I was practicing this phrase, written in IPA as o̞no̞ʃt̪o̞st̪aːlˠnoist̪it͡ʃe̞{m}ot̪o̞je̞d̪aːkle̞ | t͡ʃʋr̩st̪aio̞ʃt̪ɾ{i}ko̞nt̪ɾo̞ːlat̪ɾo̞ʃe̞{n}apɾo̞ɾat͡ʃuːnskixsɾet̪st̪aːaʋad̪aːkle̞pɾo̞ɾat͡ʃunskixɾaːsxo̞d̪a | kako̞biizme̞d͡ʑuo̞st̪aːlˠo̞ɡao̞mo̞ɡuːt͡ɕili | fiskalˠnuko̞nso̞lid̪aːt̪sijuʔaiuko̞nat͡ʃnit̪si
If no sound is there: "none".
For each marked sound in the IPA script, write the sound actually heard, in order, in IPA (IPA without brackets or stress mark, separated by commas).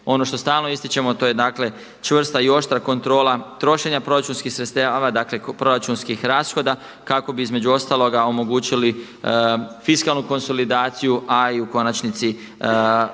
m, a, ɲ